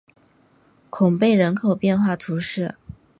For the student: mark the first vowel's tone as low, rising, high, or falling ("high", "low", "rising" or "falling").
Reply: low